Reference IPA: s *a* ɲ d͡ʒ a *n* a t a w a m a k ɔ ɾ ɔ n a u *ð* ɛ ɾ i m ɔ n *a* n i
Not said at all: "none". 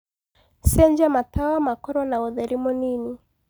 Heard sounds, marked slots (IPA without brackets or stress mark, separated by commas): ɛ, m, ð, i